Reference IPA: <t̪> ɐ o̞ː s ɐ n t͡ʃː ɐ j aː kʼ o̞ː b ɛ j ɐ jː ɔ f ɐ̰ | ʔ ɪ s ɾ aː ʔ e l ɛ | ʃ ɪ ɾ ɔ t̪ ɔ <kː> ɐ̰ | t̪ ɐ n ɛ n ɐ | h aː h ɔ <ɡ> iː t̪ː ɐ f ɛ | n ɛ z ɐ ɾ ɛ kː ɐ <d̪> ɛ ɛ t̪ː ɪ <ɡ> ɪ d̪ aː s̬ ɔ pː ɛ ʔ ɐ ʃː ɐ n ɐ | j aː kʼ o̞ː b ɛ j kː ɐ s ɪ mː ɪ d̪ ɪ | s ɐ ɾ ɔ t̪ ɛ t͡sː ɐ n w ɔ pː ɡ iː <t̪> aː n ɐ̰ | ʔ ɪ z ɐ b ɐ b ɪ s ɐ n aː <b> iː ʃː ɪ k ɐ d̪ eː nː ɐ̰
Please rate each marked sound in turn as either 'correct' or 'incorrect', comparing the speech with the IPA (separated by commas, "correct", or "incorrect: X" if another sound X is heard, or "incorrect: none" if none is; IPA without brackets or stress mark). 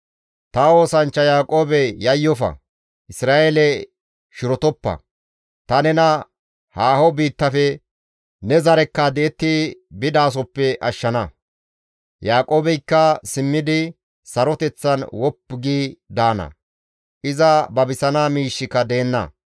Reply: correct, incorrect: pː, incorrect: b, correct, incorrect: b, incorrect: d̪, incorrect: m